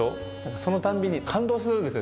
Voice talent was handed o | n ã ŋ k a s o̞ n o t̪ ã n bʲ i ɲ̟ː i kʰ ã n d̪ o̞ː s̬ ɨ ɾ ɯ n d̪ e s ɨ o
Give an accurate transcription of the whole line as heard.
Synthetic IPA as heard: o | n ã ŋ k a s o̞ n o t̪ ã m bʲ i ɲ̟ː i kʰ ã n d̪ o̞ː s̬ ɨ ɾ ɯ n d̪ e s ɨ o